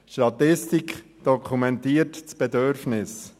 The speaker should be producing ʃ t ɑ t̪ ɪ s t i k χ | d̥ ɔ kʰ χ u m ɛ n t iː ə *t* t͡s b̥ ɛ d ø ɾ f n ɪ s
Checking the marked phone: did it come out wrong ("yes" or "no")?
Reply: no